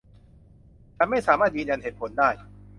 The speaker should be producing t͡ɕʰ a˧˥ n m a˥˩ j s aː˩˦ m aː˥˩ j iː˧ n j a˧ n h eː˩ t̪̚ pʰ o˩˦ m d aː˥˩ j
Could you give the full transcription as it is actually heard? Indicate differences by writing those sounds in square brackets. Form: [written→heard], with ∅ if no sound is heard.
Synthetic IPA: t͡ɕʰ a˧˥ n m a˥˩ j s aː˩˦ m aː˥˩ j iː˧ n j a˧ n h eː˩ t̪̚ pʰ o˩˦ [m→n] d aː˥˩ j